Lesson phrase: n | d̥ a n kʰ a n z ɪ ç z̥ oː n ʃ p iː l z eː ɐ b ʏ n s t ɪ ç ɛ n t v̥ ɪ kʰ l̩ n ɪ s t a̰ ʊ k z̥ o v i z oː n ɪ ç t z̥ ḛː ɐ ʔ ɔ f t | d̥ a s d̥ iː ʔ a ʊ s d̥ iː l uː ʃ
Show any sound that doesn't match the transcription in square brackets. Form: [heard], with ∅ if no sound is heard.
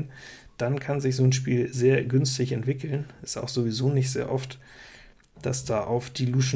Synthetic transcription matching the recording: n | d̥ a n kʰ a n z ɪ ç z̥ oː n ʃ p iː l z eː ɐ [ɡ] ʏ n s t ɪ ç ɛ n t v̥ ɪ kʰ l̩ n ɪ s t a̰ ʊ [x] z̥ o v i z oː n ɪ ç t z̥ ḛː ɐ ʔ ɔ f t | d̥ a s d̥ [aː] ʔ a ʊ [f] d̥ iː l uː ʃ